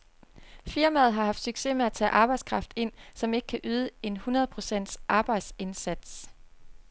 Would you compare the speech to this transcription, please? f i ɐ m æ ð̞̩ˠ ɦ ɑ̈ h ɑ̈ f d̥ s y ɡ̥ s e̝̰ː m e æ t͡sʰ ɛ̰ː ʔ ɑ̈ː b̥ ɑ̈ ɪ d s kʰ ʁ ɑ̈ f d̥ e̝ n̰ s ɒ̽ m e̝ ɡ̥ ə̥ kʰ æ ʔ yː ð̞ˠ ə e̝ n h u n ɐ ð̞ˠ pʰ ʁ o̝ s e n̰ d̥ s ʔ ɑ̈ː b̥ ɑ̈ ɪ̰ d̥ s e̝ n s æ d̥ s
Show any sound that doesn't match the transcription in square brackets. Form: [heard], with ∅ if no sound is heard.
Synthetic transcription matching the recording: f i ɐ m æ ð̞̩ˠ ɦ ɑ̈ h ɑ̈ f d̥ s y ɡ̥ s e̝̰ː m e æ t͡sʰ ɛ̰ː ʔ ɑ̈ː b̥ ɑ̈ ɪ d s kʰ ʁ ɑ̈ f d̥ e̝ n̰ s ɒ̽ m e̝ ɡ̥ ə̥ kʰ æ ʔ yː ð̞ˠ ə e̝ n h u n ɐ ð̞ˠ pʰ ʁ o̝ s e n̰ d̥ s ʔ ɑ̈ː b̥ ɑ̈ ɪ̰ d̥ s e̝ n s æ d̥ s

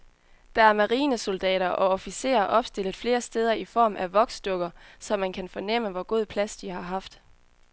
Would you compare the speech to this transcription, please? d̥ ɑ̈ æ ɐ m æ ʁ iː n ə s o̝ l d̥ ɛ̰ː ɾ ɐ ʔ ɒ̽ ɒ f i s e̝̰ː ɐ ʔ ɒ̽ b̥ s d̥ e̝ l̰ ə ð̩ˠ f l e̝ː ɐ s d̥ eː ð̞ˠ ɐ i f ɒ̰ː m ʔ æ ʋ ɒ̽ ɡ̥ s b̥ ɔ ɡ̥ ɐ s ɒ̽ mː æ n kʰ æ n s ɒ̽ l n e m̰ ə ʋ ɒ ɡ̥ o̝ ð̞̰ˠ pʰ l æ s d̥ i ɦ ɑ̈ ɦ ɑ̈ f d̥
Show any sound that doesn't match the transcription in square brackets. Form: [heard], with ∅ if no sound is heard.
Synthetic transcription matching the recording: d̥ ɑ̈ æ ɐ m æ ʁ iː n ə s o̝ l d̥ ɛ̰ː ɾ ɐ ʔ ɒ̽ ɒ f i s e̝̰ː ɐ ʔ ɒ̽ b̥ s d̥ e̝ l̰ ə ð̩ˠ f l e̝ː ɐ s d̥ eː ð̞ˠ ɐ i f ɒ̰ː m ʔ æ ʋ ɒ̽ ɡ̥ s [d̥] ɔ ɡ̥ ɐ s ɒ̽ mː æ n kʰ æ n [f] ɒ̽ [∅] n e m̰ ə ʋ ɒ ɡ̥ o̝ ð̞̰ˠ pʰ l æ s d̥ i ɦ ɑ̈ ɦ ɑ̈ f d̥

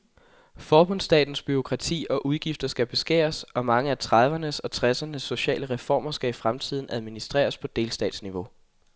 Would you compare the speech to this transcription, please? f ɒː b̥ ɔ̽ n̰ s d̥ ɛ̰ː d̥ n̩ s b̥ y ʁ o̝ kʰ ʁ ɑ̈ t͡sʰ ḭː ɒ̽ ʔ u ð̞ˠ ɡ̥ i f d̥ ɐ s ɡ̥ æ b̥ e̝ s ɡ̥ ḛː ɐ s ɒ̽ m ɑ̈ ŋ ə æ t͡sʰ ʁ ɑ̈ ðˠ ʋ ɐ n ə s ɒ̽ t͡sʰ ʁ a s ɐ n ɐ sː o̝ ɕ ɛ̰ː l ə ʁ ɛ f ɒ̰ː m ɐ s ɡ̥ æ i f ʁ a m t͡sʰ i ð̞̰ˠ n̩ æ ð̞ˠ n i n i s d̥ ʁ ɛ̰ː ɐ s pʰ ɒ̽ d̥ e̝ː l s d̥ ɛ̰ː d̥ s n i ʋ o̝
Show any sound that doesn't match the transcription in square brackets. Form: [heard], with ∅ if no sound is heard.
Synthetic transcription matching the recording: f ɒː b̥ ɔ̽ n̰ s d̥ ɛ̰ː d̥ n̩ s b̥ y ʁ o̝ kʰ ʁ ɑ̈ t͡sʰ ḭː ɒ̽ ʔ u ð̞ˠ ɡ̥ i f d̥ ɐ s ɡ̥ æ b̥ e̝ s ɡ̥ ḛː ɐ s ɒ̽ m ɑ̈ ŋ ə æ t͡sʰ ʁ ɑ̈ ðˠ ʋ ɐ n ə s ɒ̽ t͡sʰ ʁ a s ɐ n [ə] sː o̝ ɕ ɛ̰ː l ə ʁ ɛ f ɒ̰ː m ɐ s ɡ̥ æ i f ʁ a m t͡sʰ i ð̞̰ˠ n̩ æ ð̞ˠ [m] i n i s d̥ ʁ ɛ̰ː ɐ s pʰ ɒ̽ d̥ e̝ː l s d̥ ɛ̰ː d̥ s n i ʋ o̝

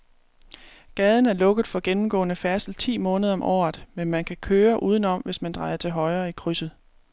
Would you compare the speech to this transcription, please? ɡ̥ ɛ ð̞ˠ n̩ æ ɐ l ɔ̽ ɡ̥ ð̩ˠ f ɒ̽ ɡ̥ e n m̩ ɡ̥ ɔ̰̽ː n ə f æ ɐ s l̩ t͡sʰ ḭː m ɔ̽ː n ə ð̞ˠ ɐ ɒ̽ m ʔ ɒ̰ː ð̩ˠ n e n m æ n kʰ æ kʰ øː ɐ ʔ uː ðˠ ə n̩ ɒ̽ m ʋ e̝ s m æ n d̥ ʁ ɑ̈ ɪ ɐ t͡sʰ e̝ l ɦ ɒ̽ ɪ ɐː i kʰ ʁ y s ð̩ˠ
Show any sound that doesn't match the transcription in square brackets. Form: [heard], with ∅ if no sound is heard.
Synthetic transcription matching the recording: ɡ̥ ɛ ð̞ˠ n̩ æ ɐ l ɔ̽ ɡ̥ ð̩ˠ f ɒ̽ ɡ̥ e n m̩ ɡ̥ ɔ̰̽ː n ə f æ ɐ s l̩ t͡sʰ ḭː m ɔ̽ː n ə ð̞ˠ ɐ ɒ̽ m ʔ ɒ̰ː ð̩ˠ [m] e n m æ n kʰ æ kʰ øː ɐ ʔ uː ðˠ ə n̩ ɒ̽ m ʋ e̝ s m æ n d̥ ʁ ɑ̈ ɪ ɐ t͡sʰ e̝ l ɦ ɒ̽ ɪ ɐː i kʰ ʁ y s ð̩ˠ

